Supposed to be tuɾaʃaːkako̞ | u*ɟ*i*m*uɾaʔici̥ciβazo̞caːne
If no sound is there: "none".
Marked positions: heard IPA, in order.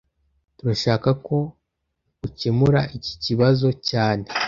c, m

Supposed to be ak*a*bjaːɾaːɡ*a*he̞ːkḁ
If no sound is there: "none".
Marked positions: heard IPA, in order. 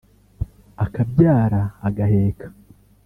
a, a

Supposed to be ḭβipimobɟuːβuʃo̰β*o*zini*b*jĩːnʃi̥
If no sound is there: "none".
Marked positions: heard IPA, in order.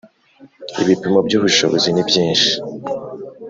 o, b

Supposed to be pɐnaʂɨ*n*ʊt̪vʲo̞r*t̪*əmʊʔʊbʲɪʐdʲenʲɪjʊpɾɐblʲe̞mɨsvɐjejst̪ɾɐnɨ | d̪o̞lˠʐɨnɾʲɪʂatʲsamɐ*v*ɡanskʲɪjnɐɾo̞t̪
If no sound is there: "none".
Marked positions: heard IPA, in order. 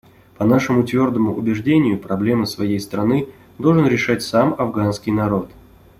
m, d̪, v

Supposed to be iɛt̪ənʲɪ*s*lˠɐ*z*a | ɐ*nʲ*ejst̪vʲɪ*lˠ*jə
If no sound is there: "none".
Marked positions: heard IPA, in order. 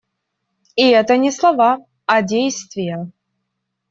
s, v, dʲ, none

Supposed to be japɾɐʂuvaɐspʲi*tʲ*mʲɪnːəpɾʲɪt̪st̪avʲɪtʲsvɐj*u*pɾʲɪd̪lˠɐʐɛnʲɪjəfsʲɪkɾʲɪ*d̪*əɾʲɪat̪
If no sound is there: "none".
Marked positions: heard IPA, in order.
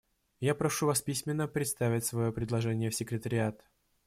sʲ, o, t̪

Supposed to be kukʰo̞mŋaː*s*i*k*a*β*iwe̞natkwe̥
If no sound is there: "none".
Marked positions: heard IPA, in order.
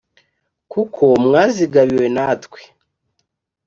z, ɡ, β

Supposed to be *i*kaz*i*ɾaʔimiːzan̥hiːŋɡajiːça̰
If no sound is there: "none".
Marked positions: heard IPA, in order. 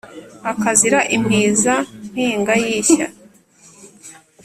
a, i

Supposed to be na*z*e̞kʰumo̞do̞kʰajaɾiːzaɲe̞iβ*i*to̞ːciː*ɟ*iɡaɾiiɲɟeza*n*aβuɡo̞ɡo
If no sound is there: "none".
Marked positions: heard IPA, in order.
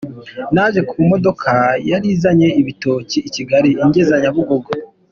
ʒ, i, c, ɲ

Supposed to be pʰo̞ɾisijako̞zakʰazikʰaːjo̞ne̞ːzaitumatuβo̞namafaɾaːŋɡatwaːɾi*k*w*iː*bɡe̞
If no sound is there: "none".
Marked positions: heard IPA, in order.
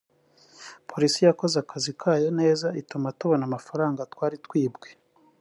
t, iː

